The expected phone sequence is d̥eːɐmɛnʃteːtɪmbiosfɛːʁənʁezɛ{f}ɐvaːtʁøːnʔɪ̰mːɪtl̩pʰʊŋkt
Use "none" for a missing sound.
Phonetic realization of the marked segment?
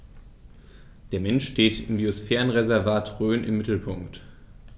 none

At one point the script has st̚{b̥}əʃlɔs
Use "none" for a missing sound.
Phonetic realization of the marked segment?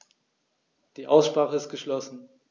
ɡ̥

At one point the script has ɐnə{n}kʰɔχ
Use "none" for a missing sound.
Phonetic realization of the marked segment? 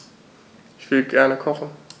none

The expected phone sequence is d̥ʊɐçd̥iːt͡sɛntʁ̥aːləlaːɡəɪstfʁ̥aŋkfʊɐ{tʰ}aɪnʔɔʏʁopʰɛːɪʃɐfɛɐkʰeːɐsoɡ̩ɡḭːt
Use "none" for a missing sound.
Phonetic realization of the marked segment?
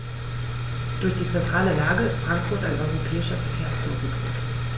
t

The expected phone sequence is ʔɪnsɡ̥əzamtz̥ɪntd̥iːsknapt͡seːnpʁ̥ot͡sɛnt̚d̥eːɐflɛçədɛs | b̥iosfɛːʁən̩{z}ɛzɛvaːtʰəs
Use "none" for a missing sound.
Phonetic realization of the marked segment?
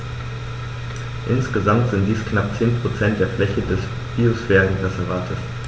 ʁ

